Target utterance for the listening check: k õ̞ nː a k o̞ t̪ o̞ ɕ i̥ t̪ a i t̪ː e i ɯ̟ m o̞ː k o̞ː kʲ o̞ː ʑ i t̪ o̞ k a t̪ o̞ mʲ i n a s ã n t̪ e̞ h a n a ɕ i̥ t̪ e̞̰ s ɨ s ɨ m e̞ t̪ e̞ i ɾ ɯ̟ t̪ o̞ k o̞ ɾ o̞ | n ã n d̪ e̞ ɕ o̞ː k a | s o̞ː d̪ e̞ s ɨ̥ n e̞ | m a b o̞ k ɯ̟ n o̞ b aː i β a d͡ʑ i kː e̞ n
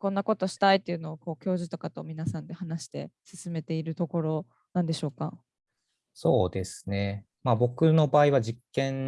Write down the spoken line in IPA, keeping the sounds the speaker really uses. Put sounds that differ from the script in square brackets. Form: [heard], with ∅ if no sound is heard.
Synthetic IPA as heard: k õ̞ nː a k o̞ t̪ o̞ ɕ i̥ t̪ a i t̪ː e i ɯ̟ [n] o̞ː k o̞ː kʲ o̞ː ʑ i t̪ o̞ k a t̪ o̞ mʲ i n a s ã n [d̪] e̞ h a n a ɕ i̥ t̪ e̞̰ s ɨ s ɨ m e̞ t̪ e̞ i ɾ ɯ̟ t̪ o̞ k o̞ ɾ o̞ | n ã n d̪ e̞ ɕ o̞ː k a | s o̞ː d̪ e̞ s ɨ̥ n e̞ | m a b o̞ k ɯ̟ n o̞ b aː i β a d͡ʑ i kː [ẽ̞] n